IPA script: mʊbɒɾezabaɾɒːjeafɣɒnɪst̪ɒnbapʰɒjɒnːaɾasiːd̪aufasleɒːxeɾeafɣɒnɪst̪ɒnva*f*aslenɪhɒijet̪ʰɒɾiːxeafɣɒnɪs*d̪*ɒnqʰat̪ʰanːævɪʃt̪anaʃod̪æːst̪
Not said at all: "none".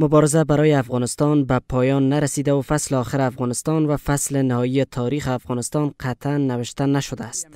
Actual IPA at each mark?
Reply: f, t̪

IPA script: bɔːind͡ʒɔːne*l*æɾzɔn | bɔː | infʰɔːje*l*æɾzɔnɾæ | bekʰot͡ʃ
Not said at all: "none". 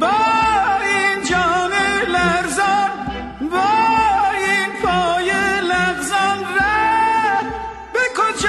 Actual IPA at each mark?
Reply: l, l

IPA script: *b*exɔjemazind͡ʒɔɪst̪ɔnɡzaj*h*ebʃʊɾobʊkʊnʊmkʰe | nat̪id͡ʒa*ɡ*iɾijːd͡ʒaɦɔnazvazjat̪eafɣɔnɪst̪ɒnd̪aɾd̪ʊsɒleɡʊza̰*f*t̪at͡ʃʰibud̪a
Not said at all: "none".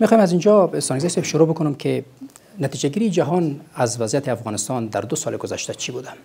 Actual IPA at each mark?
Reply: m, s, ɡ, ʃ

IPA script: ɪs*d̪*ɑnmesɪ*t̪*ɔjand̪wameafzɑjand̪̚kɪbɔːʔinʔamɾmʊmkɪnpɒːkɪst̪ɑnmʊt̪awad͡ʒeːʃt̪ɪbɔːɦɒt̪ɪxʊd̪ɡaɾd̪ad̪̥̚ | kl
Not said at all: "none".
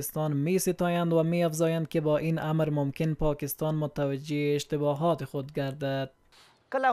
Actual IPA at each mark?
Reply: t̪, t̪

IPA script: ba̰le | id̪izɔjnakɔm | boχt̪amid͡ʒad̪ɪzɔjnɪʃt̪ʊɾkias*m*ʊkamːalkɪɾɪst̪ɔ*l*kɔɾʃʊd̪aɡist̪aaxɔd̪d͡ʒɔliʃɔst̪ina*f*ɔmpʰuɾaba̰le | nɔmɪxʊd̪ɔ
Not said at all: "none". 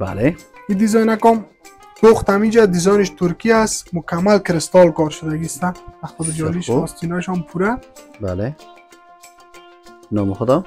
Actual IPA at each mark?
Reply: m, l, ʃ

